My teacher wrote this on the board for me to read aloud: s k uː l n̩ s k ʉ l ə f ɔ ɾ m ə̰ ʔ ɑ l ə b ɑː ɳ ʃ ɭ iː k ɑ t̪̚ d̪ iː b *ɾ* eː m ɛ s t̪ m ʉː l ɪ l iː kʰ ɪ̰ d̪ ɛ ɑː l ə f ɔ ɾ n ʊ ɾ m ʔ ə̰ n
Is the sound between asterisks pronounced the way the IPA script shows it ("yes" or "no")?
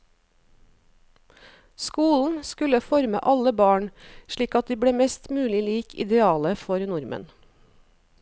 no